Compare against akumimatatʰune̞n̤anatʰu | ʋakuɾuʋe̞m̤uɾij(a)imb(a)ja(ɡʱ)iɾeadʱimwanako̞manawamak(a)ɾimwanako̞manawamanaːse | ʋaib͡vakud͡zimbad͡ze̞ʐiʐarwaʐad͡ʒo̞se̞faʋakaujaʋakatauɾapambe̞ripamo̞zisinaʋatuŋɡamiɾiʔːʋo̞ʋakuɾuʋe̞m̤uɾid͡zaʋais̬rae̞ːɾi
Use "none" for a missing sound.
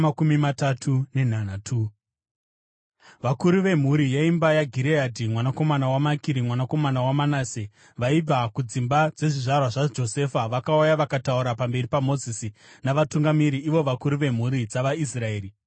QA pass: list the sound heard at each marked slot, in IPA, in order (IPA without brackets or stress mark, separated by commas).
a, a, ɡʱ, i